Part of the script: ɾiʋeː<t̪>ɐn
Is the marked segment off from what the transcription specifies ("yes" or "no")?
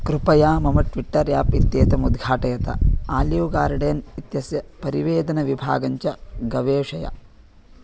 yes